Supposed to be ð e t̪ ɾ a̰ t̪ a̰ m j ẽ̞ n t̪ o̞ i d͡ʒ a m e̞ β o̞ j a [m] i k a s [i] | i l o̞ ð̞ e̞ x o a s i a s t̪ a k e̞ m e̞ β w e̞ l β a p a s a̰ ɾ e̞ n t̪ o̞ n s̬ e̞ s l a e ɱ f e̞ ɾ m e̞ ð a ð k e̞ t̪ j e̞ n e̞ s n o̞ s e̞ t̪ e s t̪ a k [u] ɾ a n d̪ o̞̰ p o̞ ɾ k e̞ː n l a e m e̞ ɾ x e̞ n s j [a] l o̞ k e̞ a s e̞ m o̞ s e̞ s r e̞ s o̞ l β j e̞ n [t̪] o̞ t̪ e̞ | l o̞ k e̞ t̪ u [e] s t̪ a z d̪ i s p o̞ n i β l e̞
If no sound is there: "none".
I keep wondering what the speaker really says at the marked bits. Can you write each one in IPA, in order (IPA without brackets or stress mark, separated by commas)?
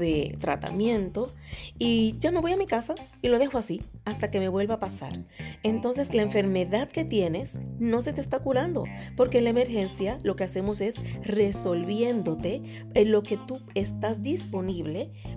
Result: m, a, u, a, d̪, e